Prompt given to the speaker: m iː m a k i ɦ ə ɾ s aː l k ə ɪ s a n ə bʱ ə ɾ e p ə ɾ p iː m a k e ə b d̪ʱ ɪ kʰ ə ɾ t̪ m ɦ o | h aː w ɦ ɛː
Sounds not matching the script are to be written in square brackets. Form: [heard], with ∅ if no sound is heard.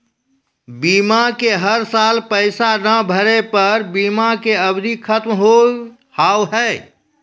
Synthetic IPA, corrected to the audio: [b] iː m a k [e] ɦ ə ɾ s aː l [p] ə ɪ s a n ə bʱ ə ɾ e p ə ɾ [b] iː m a k e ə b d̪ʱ [i] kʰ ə [∅] t̪ m ɦ o | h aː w ɦ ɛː